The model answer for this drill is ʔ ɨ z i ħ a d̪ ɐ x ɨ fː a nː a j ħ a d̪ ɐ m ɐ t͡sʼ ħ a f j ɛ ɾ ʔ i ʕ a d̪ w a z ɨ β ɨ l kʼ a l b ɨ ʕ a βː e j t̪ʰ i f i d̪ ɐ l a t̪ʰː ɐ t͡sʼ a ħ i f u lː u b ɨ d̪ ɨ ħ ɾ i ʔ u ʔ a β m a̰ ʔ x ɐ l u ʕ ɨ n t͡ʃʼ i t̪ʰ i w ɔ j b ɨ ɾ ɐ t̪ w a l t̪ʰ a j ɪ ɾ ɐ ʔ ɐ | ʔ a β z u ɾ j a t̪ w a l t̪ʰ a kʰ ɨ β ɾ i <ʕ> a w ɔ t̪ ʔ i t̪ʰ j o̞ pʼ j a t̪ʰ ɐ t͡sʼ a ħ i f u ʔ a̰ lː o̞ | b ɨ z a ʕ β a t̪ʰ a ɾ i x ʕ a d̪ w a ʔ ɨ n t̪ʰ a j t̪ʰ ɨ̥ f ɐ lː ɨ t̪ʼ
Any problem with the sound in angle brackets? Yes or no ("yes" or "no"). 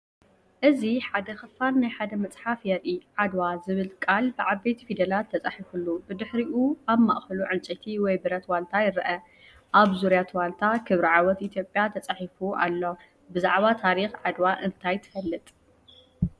no